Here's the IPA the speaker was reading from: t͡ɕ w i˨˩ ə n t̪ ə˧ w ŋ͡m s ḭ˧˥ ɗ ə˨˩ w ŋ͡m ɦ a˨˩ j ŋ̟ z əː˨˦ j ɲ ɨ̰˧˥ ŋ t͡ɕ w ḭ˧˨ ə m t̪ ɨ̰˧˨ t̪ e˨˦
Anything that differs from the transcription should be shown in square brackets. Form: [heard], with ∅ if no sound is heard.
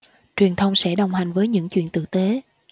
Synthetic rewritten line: t͡ɕ w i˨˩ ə n [t̪ʰ] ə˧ w ŋ͡m s [ɛ̰˧˥] ɗ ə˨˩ w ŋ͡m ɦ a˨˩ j ŋ̟ [v] əː˨˦ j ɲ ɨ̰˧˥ ŋ t͡ɕ w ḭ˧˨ ə [n] t̪ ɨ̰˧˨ t̪ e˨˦